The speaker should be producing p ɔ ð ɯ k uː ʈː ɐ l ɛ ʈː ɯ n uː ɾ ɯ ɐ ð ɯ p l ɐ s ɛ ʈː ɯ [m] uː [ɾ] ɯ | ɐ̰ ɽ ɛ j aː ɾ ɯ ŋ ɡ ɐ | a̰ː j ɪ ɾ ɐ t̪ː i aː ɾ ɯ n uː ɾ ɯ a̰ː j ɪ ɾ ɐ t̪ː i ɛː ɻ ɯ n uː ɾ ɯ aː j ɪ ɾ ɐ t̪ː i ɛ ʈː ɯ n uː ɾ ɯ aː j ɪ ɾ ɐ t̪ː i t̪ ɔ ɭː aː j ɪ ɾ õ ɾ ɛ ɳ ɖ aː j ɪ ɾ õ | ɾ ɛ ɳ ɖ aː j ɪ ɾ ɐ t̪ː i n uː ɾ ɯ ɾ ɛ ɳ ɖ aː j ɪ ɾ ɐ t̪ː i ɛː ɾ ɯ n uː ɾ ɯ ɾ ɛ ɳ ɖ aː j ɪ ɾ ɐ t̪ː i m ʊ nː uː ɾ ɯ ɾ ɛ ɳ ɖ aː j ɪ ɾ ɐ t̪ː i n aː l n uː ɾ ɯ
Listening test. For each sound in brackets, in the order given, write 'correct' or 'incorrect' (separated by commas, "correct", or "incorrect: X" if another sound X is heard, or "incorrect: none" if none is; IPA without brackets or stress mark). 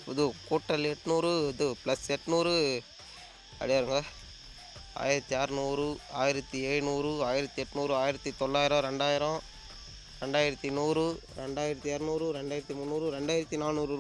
incorrect: n, correct